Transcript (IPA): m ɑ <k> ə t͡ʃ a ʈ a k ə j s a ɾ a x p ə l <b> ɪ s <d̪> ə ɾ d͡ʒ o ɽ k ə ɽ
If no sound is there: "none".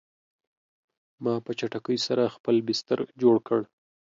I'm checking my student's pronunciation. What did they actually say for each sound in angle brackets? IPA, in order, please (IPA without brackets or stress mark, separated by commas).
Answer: p, b, t̪